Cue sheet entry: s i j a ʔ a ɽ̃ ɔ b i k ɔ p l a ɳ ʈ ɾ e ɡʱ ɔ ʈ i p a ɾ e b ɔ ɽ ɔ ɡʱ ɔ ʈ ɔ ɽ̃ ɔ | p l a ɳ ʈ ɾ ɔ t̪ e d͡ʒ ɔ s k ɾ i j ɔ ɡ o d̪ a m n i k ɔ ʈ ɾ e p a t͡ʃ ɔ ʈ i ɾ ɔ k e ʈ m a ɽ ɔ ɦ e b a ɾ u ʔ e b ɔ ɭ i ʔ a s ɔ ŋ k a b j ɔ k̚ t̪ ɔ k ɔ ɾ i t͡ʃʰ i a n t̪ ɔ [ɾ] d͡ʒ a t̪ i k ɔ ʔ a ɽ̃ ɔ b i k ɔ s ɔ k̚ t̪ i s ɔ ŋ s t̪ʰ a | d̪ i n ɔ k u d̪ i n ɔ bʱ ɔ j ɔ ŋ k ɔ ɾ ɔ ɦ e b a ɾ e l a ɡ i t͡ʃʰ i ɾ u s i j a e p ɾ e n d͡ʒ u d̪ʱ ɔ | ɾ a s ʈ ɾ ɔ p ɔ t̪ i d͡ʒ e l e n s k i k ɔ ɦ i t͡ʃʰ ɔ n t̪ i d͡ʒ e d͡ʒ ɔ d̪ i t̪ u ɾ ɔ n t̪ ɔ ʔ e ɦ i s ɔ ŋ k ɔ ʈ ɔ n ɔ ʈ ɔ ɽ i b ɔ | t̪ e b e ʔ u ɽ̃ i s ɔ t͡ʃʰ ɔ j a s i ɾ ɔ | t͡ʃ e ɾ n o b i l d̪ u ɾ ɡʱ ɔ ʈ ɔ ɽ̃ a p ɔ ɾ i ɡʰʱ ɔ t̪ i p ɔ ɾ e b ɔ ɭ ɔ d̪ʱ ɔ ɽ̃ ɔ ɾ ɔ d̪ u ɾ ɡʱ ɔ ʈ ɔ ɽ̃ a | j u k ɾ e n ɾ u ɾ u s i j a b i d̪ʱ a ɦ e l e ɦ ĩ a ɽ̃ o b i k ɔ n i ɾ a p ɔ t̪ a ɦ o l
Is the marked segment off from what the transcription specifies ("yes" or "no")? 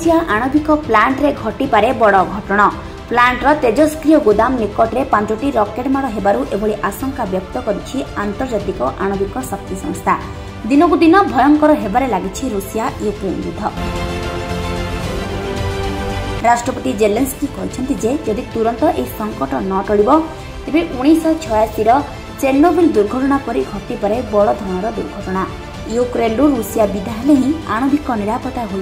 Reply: no